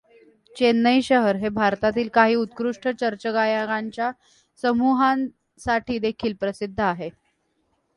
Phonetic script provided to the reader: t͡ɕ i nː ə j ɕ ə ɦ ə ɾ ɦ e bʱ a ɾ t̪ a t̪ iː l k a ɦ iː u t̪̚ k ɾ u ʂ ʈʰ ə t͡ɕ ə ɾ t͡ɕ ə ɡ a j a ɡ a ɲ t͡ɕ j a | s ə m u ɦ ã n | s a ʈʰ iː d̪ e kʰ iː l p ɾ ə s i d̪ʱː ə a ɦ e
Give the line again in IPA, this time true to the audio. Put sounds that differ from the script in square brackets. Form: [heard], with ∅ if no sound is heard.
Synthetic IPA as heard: t͡ɕ [e] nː ə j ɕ ə ɦ ə ɾ ɦ e bʱ a ɾ t̪ a t̪ iː l k a ɦ iː u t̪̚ k ɾ u ʂ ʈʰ ə t͡ɕ ə ɾ t͡ɕ ə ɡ a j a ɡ a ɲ t͡ɕ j a | s ə m u ɦ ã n | s a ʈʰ iː d̪ e kʰ iː l p ɾ ə s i d̪ʱː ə a ɦ e